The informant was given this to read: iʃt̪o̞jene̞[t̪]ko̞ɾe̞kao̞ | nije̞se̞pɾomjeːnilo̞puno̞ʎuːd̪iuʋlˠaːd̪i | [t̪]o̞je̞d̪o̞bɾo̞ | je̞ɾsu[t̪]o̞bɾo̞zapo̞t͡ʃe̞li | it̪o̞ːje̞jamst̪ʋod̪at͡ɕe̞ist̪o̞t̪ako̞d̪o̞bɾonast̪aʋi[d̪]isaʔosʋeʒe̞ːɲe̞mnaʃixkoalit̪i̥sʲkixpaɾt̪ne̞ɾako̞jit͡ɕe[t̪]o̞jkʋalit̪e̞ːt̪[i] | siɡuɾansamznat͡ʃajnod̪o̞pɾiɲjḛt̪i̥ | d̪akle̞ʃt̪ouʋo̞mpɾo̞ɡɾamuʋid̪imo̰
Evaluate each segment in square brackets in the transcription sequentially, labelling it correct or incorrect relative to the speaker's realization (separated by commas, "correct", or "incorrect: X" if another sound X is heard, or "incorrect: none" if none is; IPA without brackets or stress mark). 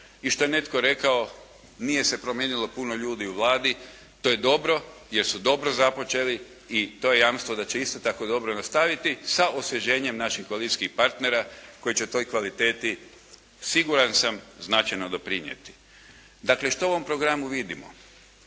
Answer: correct, correct, incorrect: d̪, incorrect: t̪, correct, correct